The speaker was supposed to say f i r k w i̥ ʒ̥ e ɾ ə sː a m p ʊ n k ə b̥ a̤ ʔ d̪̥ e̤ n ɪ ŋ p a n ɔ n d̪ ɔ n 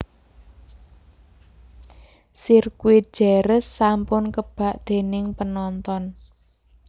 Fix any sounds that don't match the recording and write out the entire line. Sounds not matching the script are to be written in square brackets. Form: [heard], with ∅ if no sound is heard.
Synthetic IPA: [s] i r k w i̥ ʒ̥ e ɾ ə sː a m p ʊ n k ə b̥ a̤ ʔ d̪̥ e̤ n ɪ ŋ p [ə] n ɔ n [t̪] ɔ n